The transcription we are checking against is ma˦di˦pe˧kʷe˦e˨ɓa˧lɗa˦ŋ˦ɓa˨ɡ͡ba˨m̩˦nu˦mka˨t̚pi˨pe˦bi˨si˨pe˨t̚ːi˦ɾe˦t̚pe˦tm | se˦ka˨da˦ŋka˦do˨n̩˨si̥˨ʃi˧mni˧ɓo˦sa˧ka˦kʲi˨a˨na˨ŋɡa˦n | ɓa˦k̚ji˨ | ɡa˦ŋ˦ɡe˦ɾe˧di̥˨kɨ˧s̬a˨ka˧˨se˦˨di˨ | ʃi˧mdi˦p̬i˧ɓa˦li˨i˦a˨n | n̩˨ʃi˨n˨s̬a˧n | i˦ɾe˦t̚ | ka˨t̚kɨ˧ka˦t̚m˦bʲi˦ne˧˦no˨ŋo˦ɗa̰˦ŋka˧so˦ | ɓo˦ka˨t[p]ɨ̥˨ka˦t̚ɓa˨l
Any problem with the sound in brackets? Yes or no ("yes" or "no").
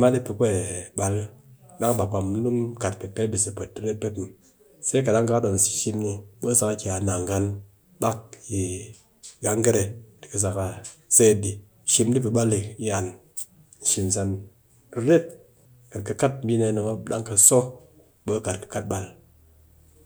yes